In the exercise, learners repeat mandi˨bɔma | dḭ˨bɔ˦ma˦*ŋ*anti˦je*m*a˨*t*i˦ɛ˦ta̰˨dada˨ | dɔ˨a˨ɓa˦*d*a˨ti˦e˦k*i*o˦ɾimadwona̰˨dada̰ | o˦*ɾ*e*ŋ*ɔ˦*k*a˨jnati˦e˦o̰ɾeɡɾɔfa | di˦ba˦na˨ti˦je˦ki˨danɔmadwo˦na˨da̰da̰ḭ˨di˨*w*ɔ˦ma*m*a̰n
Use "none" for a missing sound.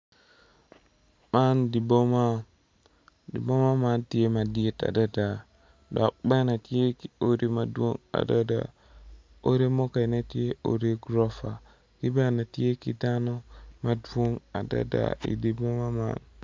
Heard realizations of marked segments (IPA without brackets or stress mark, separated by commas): m, m, d, n, i, ɾ, m, k, b, m